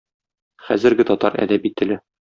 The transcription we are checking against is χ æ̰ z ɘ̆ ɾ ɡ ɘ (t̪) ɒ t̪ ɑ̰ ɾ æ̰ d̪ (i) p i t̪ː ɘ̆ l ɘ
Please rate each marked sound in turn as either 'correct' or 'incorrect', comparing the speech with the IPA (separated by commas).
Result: correct, incorrect